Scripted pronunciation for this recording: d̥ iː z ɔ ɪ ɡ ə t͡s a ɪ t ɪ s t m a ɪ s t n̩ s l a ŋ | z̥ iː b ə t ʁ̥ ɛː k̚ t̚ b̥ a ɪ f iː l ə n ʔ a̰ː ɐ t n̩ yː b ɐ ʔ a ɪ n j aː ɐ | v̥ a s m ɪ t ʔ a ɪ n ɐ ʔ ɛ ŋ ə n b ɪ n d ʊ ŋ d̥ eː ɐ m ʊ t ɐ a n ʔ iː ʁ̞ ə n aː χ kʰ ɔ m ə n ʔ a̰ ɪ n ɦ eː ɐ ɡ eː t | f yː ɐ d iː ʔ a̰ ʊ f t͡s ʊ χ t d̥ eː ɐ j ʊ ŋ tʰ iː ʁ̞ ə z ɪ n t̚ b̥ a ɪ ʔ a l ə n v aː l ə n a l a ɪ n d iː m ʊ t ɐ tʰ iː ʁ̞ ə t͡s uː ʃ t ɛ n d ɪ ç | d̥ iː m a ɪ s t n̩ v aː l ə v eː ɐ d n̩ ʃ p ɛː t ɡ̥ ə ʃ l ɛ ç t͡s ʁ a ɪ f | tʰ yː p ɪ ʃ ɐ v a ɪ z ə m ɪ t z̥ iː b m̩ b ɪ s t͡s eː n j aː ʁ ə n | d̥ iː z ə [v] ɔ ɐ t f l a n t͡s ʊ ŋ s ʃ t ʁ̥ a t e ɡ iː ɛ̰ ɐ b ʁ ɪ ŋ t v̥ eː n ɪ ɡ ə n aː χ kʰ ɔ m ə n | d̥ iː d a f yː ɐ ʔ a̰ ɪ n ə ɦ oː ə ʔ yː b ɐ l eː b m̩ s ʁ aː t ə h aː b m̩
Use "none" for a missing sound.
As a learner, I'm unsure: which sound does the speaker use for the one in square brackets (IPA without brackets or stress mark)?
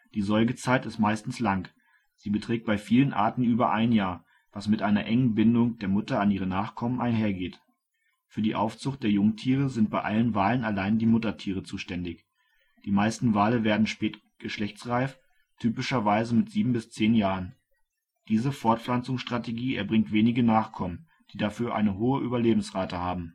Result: f